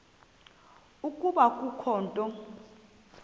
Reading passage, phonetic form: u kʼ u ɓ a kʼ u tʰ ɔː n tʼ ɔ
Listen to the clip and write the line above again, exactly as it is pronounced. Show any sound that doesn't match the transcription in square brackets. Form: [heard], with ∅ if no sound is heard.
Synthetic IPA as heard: u kʼ u ɓ a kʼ u [kʰ] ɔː n tʼ ɔ